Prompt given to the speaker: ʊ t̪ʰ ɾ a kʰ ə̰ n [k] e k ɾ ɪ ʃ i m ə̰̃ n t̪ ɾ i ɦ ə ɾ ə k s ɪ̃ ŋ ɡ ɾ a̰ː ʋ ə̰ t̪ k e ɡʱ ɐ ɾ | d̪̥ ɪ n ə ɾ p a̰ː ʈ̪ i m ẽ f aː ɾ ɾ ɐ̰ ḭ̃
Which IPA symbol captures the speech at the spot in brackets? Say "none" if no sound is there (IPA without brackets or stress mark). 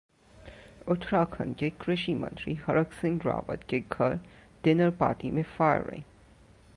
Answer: k